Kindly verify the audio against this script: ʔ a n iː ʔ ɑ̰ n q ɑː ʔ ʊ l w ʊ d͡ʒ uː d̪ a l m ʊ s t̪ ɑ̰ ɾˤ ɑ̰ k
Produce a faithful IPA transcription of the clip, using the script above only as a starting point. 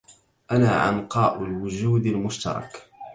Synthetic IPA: ʔ a n aː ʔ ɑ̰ n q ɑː ʔ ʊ l w ʊ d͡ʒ uː d̪ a l m ʊ ʃ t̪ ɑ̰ ɾˤ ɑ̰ k